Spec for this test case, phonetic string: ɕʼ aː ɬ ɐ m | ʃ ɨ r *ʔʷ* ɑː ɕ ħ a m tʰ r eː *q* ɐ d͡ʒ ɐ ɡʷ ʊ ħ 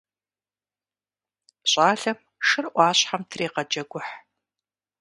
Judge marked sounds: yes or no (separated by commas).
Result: yes, yes